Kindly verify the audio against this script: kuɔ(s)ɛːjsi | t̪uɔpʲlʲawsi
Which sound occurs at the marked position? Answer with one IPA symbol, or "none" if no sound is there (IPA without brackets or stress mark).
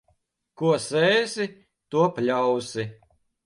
s